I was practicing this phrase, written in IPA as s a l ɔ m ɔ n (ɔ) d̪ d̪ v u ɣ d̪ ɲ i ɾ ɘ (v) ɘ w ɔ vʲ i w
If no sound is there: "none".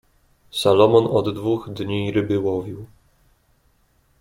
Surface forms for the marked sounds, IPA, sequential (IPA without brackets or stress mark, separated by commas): ɔ, b